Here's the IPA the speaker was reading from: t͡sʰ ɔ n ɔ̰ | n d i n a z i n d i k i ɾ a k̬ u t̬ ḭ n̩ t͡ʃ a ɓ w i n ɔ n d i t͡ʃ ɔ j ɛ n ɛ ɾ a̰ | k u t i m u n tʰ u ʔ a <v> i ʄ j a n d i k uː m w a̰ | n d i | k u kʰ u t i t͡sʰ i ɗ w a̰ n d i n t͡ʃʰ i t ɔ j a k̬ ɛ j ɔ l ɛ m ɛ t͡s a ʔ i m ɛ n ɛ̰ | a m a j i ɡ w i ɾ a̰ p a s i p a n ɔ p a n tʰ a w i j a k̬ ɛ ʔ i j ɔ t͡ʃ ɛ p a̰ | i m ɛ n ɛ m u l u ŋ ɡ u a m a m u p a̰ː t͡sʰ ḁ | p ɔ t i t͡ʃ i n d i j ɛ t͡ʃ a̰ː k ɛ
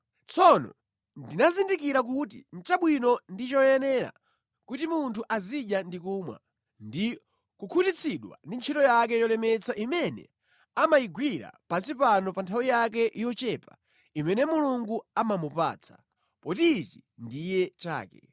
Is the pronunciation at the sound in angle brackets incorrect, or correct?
incorrect